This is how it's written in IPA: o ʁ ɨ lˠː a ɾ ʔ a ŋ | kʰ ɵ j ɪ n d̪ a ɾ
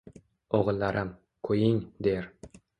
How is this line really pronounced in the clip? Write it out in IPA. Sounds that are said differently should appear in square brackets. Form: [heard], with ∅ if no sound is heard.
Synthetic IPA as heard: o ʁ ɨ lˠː a ɾ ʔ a [m] | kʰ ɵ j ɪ [ŋ] d̪ [e] ɾ